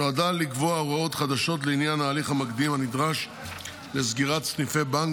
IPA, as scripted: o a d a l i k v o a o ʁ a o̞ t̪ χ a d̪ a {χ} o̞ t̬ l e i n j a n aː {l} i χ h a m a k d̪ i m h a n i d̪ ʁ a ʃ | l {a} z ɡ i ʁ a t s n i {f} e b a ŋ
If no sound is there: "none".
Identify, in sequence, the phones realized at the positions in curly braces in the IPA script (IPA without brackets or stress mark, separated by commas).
ʃ, l, e, f